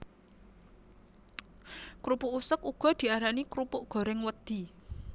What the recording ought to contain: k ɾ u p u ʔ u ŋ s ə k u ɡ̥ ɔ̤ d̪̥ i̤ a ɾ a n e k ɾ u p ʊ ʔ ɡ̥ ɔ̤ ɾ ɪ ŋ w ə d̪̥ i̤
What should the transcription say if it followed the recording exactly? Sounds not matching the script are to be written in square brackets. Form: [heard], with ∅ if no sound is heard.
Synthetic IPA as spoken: k ɾ u p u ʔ u [∅] s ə k u ɡ̥ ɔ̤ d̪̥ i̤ a ɾ a n [i] k ɾ u p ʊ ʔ ɡ̥ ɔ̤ ɾ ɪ ŋ w ə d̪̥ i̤